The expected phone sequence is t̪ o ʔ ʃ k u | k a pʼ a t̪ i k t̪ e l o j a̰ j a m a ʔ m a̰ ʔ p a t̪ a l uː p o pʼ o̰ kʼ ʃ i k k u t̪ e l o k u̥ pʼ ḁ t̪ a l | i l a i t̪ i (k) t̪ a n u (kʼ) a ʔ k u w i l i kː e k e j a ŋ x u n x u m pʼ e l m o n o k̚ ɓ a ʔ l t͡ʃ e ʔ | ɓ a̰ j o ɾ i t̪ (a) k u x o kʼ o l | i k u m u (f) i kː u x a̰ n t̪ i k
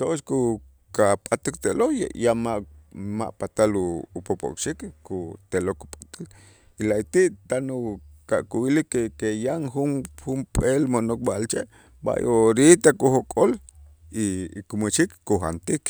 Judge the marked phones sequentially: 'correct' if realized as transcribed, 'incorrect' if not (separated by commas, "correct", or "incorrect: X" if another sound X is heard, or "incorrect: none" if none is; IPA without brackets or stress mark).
incorrect: ʔ, incorrect: k, correct, incorrect: ʃ